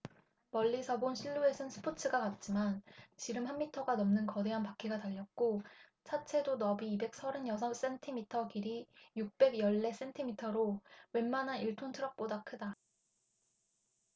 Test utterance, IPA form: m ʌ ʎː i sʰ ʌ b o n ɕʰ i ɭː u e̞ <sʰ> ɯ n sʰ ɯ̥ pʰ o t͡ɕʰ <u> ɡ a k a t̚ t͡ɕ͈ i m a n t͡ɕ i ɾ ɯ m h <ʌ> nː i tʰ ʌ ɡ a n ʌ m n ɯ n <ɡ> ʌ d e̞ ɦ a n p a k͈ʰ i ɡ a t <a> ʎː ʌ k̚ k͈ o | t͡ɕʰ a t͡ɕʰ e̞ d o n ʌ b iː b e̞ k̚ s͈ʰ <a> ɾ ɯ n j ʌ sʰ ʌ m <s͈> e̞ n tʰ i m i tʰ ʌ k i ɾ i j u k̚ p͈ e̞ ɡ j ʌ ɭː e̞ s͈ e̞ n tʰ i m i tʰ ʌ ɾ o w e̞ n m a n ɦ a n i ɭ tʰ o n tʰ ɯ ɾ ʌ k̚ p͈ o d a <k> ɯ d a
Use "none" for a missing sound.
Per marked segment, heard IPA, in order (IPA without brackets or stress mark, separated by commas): sʰ, ɯ, a, k, a, ʌ, s͈, kʰ